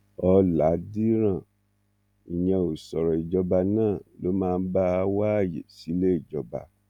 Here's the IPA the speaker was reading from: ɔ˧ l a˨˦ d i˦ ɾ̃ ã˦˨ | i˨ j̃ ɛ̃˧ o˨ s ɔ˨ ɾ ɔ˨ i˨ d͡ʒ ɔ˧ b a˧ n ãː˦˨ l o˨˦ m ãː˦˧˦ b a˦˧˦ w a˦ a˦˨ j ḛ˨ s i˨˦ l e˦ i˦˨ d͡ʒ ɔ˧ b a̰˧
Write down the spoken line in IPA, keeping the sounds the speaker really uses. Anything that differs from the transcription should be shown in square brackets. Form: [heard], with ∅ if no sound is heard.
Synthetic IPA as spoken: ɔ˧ l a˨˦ d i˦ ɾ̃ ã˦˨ | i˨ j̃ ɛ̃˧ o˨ s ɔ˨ ɾ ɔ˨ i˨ d͡ʒ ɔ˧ b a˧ n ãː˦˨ l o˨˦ m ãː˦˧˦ b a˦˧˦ w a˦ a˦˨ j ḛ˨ s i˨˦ l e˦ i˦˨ d͡ʒ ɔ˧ b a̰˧